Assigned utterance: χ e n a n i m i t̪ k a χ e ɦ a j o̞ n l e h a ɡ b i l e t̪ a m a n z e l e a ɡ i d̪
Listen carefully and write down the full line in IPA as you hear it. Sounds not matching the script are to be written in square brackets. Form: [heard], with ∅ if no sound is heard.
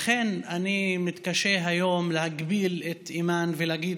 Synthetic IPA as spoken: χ e n a n i m i t̪ k a [ʃ] e ɦ a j o̞ [m] l e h a ɡ b i l e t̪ [i] m a n [v] e l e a ɡ i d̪